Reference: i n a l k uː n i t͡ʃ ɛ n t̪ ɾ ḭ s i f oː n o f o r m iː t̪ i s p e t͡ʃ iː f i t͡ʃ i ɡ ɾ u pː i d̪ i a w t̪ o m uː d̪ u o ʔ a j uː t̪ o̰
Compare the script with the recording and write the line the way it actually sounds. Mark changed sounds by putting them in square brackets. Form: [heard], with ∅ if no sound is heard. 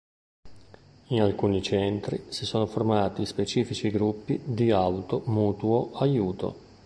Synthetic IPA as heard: i n a l k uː n i t͡ʃ ɛ n t̪ ɾ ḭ s i [s] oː n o f o r m [aː] t̪ i s p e t͡ʃ iː f i t͡ʃ i ɡ ɾ u pː i d̪ i a w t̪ o m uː [t̪] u o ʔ a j uː t̪ o̰